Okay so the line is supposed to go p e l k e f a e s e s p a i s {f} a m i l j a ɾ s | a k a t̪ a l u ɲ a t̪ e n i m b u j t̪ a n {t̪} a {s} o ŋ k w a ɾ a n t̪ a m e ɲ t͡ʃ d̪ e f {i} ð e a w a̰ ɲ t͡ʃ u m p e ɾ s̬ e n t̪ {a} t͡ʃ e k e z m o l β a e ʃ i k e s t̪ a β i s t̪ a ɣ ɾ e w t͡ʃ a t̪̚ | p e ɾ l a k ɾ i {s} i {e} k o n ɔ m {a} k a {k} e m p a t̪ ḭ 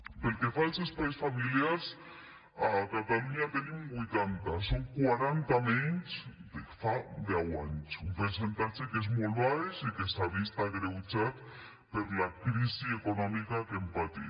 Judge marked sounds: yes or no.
yes, yes, yes, no, yes, yes, yes, no, yes

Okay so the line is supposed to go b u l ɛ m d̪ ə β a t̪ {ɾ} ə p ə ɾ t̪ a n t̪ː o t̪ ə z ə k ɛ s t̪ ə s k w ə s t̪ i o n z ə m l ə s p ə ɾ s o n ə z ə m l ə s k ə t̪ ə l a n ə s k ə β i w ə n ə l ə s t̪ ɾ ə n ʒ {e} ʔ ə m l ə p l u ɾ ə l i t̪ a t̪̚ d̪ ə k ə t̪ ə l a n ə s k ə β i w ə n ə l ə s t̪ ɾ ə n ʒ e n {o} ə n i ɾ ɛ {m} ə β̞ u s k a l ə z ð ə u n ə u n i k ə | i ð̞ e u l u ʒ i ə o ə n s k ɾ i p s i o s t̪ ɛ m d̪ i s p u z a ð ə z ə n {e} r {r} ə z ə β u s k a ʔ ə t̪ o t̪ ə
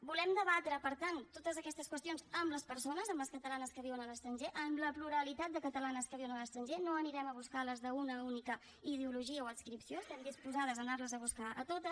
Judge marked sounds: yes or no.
yes, yes, yes, yes, no, no

